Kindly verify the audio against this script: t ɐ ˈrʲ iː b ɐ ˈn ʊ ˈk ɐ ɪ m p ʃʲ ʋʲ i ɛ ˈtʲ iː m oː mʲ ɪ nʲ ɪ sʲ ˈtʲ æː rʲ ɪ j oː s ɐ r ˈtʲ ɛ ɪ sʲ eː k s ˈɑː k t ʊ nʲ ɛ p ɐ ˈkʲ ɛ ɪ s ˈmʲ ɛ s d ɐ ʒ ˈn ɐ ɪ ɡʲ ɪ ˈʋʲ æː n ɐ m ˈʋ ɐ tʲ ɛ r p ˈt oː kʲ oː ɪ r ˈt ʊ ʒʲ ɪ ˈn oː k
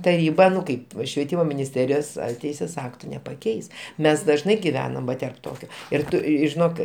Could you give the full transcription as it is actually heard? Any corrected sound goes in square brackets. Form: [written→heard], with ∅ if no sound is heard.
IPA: t ɐ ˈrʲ iː b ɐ ˈn ʊ ˈk ɐ ɪ [m→∅] p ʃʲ ʋʲ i ɛ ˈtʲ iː m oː mʲ ɪ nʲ ɪ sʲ ˈtʲ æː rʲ ɪ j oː s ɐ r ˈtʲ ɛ ɪ sʲ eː [k→∅] s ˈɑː k t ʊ nʲ ɛ p ɐ ˈkʲ ɛ ɪ s ˈmʲ ɛ s d ɐ ʒ ˈn ɐ ɪ ɡʲ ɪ ˈʋʲ æː n ɐ m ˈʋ ɐ tʲ ɛ r p ˈt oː kʲ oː ɪ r ˈt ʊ ʒʲ ɪ ˈn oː k

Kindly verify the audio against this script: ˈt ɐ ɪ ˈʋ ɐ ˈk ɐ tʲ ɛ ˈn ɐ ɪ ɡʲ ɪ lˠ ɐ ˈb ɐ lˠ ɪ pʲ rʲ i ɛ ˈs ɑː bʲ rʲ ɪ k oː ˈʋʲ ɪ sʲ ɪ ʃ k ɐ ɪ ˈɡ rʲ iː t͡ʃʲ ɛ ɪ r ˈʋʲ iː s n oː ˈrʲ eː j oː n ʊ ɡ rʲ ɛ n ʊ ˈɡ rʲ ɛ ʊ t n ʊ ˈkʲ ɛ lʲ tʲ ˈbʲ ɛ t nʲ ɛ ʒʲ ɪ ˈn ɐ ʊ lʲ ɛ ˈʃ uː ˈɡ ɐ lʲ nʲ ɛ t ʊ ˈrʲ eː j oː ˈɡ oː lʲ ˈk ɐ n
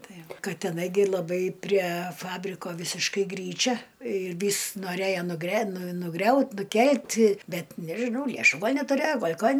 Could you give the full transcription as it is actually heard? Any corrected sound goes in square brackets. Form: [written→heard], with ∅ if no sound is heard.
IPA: ˈt ɐ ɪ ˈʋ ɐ ˈk ɐ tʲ ɛ ˈn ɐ ɪ ɡʲ ɪ lˠ ɐ ˈb ɐ [lˠ→∅] ɪ pʲ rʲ i ɛ [ˈs→ˈf] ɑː bʲ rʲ ɪ k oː ˈʋʲ ɪ sʲ ɪ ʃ k ɐ ɪ ˈɡ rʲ iː t͡ʃʲ ɛ ɪ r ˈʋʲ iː s n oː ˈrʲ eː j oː n ʊ ɡ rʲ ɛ n ʊ ˈɡ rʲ ɛ ʊ t n ʊ ˈkʲ ɛ lʲ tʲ ˈbʲ ɛ t nʲ ɛ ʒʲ ɪ ˈn ɐ ʊ lʲ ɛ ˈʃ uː ˈɡ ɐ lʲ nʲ ɛ t ʊ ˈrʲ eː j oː ˈɡ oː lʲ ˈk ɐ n

